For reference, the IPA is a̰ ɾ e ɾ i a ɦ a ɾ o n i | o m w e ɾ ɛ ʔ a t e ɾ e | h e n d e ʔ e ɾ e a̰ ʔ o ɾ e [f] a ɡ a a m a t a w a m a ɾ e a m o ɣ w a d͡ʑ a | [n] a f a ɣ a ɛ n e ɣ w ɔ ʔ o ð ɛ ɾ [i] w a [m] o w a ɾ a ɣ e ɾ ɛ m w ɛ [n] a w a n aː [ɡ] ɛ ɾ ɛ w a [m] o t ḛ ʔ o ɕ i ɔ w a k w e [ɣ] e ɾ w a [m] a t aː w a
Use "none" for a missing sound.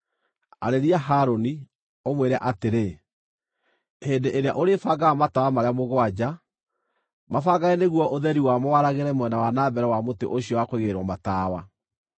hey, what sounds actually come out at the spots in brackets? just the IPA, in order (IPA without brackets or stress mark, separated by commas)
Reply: f, m, i, m, n, b, m, ɣ, m